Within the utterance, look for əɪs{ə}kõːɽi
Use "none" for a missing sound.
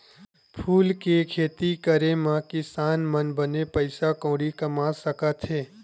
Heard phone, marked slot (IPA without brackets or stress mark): a